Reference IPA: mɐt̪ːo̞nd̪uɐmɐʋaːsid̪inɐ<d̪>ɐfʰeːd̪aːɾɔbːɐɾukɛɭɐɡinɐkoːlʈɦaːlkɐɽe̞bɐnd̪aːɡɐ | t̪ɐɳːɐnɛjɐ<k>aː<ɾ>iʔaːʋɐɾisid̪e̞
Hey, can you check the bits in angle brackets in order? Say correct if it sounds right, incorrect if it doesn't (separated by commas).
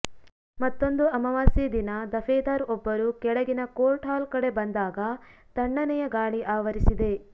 correct, incorrect, incorrect